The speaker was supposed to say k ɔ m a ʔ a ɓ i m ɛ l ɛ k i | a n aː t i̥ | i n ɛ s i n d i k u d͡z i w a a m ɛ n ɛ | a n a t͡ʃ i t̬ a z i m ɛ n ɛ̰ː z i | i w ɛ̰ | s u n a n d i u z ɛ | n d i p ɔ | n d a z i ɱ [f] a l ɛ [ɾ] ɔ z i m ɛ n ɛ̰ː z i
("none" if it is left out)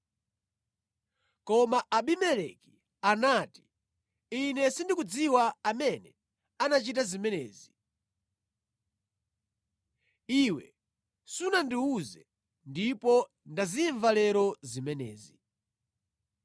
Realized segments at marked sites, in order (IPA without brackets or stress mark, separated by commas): v, ɾ